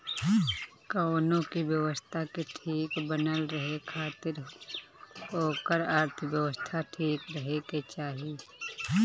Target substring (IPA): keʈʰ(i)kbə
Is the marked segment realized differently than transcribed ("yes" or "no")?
yes